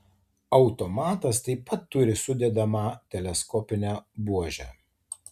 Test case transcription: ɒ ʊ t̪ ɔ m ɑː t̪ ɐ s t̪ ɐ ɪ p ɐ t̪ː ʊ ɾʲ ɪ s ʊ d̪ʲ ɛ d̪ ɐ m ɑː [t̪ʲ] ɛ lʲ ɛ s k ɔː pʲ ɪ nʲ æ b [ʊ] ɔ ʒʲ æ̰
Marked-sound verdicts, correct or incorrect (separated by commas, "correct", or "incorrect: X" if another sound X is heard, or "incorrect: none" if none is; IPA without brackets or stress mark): correct, incorrect: u